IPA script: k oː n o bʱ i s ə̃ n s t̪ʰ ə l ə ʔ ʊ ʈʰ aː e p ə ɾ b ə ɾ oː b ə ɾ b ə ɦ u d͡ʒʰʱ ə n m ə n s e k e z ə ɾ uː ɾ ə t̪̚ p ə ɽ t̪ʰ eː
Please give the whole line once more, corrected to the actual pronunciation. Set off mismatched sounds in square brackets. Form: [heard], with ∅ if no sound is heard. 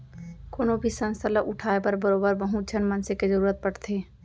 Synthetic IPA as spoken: k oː n o bʱ i s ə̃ n s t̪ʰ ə l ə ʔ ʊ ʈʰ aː e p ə ɾ b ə ɾ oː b ə ɾ b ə ɦ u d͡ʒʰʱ ə n m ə n s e k e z ə ɾ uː ɾ ə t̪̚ p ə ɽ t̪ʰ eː